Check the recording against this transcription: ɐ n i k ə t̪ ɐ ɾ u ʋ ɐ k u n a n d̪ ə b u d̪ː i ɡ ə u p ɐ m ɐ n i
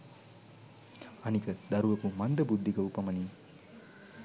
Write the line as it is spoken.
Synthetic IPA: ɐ n i k ə d̪ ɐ ɾ u ʋ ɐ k u m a n d̪ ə b u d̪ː i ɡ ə u p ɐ m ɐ n i